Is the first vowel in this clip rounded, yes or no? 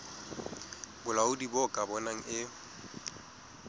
yes